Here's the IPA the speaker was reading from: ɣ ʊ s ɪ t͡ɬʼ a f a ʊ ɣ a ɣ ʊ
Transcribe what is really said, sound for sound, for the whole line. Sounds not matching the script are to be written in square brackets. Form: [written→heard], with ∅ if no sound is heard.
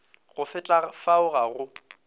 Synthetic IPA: ɣ ʊ [s→f] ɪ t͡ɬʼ a f a ʊ ɣ a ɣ ʊ